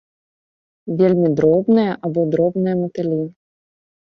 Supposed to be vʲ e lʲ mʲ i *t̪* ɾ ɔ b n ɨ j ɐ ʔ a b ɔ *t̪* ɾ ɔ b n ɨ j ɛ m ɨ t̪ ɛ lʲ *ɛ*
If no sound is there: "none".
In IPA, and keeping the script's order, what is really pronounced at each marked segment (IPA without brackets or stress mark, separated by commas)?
d̪, d̪, i